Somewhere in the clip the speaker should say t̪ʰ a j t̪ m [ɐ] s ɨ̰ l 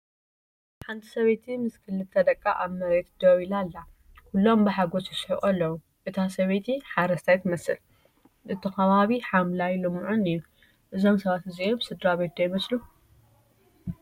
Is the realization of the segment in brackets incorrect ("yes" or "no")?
no